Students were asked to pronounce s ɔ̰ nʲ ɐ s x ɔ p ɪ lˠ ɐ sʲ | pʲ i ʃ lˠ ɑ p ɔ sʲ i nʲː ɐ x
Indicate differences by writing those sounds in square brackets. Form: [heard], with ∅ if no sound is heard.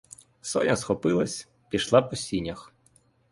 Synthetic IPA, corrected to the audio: s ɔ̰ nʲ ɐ s x ɔ p ɪ lˠ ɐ sʲ | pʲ i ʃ lˠ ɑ p ɔ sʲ i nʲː ɐ x